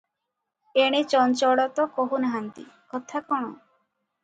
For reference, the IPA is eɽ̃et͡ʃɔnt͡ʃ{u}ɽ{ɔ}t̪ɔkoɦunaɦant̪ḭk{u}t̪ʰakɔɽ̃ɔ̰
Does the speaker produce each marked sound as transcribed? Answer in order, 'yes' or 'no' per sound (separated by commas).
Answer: no, yes, no